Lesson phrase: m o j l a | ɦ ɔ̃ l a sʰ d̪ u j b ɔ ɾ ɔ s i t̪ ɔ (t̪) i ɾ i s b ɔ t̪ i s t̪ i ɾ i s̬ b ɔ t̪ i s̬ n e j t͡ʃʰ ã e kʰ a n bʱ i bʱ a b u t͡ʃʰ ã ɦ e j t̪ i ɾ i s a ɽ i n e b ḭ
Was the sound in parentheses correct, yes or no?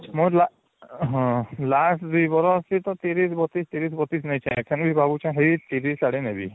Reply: yes